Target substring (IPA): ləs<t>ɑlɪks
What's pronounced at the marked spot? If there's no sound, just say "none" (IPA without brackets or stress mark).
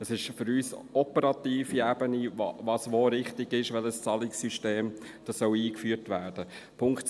t͡s